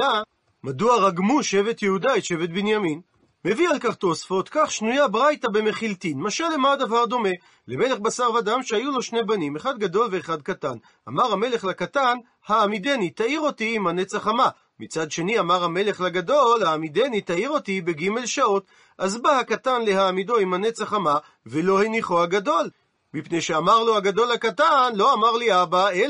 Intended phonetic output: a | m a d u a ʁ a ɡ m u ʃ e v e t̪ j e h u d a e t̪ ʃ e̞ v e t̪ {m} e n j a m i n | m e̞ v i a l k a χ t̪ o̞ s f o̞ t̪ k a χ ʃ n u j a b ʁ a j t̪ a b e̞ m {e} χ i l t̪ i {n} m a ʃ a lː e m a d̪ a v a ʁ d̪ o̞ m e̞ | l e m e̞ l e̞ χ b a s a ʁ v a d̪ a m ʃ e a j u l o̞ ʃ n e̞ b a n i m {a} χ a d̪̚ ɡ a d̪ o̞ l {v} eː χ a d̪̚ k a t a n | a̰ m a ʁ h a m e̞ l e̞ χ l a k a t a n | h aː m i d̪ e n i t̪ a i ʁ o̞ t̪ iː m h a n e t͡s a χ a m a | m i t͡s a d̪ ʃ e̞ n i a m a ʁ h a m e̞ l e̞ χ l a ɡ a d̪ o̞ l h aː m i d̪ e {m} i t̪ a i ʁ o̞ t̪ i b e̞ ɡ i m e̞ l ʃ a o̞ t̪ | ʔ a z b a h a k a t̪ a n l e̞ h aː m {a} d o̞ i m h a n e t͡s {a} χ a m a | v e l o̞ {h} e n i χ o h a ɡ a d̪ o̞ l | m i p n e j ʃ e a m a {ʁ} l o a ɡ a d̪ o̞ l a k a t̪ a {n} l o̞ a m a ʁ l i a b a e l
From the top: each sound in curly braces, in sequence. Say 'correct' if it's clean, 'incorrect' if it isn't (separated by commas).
incorrect, correct, correct, incorrect, correct, incorrect, incorrect, correct, correct, correct, correct